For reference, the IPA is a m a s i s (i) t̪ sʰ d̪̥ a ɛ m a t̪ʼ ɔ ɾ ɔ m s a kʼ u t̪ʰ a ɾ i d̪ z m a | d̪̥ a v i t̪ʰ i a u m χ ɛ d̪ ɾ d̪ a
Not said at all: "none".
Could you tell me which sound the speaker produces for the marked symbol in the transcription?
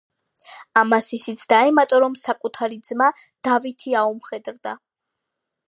i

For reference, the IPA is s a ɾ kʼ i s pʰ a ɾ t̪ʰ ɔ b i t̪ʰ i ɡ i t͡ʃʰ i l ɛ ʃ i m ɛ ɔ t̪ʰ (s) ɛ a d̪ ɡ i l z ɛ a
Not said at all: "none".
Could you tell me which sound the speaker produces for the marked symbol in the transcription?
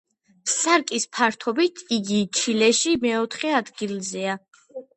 χ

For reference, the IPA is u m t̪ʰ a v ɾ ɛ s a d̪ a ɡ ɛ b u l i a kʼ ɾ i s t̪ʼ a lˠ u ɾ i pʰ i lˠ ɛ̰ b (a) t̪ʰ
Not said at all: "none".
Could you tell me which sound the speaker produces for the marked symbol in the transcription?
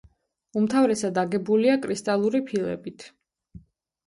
i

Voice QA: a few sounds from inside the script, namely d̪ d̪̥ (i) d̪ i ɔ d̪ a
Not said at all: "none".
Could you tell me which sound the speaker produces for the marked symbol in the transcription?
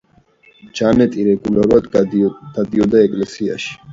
a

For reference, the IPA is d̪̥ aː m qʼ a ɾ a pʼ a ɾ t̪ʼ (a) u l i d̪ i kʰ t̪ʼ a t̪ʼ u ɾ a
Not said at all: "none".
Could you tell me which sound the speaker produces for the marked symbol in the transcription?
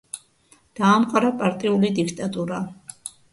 i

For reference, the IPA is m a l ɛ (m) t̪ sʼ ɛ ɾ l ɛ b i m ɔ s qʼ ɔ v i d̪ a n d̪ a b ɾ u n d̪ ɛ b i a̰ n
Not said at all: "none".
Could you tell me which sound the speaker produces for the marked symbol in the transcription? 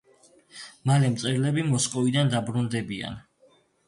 m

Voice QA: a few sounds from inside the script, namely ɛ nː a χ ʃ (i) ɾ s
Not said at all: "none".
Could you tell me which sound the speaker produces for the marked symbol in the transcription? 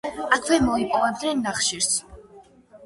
i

